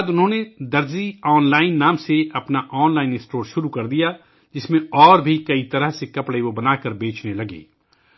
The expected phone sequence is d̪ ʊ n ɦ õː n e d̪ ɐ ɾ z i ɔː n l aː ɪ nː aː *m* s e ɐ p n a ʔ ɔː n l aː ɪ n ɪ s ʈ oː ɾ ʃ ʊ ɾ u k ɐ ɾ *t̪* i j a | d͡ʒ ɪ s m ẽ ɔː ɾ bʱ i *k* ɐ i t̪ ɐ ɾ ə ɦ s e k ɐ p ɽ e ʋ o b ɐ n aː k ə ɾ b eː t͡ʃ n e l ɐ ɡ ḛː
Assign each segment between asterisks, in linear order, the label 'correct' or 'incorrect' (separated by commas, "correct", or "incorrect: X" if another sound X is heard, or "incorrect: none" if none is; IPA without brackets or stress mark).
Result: correct, incorrect: d̪, correct